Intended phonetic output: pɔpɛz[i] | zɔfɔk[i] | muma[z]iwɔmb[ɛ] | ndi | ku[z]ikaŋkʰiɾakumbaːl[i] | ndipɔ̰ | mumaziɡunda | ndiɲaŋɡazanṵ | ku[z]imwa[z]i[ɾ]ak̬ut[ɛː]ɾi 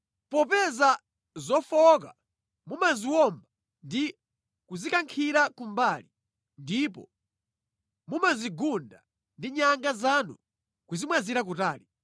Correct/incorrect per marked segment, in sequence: incorrect, incorrect, correct, incorrect, correct, correct, correct, correct, correct, incorrect

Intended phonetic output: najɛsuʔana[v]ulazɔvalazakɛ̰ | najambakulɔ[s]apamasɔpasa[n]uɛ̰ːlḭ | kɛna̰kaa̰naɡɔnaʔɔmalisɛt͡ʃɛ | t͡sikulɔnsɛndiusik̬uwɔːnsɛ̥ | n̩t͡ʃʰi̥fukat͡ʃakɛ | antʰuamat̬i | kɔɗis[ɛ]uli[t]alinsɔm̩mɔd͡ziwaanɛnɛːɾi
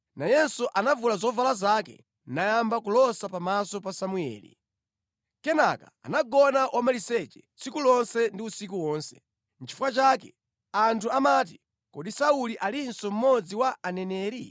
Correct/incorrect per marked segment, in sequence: correct, correct, incorrect, incorrect, incorrect

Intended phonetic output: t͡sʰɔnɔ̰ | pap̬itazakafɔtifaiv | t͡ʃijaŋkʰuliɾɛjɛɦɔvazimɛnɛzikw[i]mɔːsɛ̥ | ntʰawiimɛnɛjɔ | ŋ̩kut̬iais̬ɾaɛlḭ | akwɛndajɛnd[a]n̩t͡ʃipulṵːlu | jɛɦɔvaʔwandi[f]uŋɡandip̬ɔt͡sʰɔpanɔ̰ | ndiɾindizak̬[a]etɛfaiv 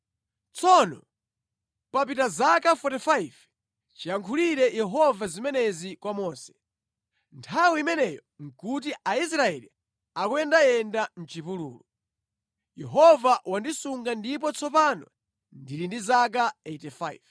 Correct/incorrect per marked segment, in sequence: incorrect, correct, incorrect, correct

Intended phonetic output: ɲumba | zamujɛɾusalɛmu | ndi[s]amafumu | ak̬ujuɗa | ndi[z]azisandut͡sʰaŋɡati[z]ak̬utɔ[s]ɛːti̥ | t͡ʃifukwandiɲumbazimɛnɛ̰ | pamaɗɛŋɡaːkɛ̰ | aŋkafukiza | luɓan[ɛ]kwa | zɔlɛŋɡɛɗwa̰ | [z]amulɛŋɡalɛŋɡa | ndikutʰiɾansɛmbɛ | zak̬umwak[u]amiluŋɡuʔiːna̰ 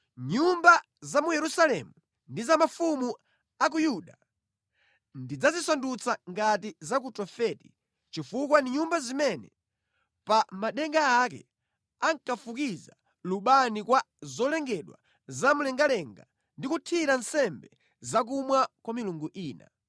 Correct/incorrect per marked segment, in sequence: incorrect, incorrect, correct, incorrect, incorrect, correct, incorrect

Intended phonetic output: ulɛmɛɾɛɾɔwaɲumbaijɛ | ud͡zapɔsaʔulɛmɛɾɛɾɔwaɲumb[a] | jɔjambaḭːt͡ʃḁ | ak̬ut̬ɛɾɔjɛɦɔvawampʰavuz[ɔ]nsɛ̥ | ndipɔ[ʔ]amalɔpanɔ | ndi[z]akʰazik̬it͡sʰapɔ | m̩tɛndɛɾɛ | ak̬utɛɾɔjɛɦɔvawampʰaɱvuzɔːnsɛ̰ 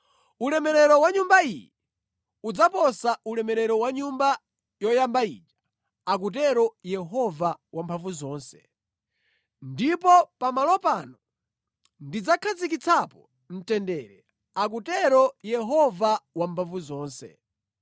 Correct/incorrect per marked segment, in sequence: correct, incorrect, incorrect, incorrect

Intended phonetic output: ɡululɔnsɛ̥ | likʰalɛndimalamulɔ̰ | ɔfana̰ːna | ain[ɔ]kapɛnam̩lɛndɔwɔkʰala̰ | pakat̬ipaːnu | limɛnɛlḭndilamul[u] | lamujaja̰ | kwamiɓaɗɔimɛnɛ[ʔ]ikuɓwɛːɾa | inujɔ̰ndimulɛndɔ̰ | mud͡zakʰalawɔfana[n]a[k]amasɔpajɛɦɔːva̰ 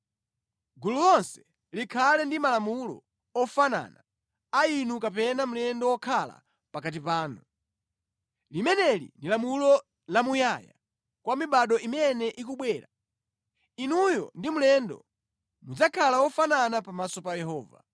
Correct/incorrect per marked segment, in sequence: incorrect, incorrect, correct, correct, incorrect

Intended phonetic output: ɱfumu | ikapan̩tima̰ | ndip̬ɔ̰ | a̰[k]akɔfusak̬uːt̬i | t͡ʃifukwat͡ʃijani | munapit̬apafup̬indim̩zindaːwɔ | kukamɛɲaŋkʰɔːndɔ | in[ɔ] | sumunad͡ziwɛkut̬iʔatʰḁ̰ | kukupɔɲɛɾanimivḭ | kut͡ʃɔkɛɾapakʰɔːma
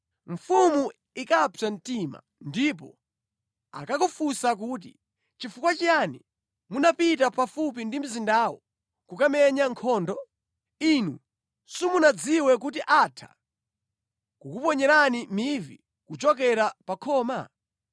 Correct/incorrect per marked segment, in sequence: correct, incorrect

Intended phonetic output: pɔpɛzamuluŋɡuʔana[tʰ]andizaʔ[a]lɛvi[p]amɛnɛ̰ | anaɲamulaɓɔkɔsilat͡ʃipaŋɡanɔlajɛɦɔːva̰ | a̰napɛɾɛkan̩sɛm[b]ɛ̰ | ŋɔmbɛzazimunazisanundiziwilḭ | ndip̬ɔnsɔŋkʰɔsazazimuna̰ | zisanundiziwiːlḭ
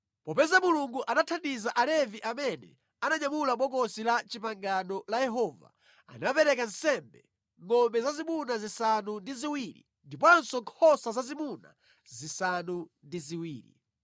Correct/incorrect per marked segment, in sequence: correct, correct, incorrect, correct

